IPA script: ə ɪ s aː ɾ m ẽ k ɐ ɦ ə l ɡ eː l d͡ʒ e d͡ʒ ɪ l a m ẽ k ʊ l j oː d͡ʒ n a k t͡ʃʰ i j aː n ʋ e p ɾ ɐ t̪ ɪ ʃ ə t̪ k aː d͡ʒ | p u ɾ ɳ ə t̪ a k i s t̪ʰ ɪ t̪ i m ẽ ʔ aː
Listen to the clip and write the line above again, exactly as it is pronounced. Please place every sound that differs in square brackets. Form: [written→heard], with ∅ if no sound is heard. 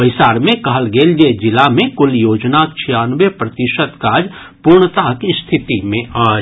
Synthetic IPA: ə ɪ s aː ɾ m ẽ k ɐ ɦ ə l ɡ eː l d͡ʒ e d͡ʒ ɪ l a m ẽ k ʊ l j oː d͡ʒ n a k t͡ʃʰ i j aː n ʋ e p ɾ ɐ t̪ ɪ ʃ ə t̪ k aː d͡ʒ | p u ɾ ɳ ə t̪ a k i s t̪ʰ ɪ t̪ i m ẽ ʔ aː